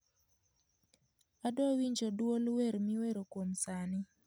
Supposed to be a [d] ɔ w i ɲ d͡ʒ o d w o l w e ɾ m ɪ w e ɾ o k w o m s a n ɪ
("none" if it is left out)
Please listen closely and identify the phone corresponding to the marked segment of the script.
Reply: d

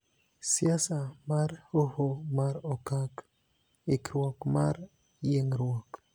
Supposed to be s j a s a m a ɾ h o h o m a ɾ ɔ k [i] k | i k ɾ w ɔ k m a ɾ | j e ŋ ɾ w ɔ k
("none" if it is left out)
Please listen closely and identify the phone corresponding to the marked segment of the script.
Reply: a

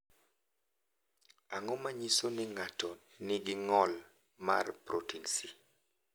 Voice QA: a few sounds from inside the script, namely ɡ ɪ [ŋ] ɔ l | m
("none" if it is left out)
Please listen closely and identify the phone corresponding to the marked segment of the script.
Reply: ŋ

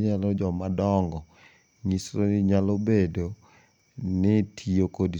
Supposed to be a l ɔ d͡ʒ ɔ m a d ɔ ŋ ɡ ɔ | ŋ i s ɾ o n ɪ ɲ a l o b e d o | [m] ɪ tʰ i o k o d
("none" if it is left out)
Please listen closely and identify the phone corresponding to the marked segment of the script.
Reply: n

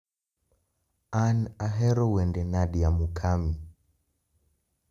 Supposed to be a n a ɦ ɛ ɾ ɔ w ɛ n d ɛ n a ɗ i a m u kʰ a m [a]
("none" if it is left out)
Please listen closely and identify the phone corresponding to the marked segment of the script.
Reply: i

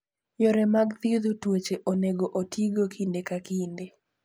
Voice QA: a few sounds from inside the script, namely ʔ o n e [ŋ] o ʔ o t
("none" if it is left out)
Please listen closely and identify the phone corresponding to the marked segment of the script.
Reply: ɡ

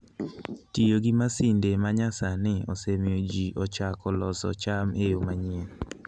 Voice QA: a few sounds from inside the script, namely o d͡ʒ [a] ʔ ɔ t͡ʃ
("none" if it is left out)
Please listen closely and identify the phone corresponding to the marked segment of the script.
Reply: i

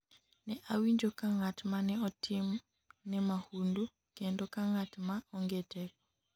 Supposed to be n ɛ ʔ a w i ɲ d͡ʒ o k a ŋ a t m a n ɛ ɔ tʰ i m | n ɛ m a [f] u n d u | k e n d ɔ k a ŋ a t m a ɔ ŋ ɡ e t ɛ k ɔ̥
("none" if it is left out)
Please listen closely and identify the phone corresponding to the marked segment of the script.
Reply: h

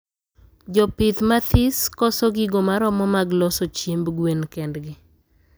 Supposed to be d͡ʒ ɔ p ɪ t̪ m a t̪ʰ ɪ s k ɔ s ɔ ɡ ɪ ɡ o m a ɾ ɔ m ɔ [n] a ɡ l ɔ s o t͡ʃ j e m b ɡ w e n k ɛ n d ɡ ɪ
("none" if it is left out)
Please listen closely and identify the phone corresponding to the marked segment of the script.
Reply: m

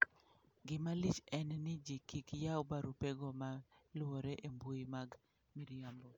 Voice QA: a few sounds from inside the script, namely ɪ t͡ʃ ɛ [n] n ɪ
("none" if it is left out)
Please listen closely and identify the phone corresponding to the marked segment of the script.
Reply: n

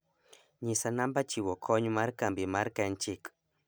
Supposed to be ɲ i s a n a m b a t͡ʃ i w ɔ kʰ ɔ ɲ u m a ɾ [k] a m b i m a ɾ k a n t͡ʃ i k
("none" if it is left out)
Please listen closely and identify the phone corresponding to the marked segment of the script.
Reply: k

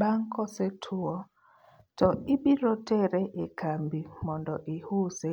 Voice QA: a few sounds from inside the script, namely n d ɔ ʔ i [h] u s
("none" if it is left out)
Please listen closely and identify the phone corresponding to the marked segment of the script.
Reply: h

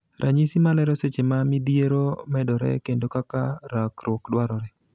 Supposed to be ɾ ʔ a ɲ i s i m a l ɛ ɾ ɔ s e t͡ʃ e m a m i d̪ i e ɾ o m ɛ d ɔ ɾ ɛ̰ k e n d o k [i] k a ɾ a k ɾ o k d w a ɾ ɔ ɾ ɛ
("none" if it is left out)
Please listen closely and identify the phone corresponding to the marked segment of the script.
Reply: a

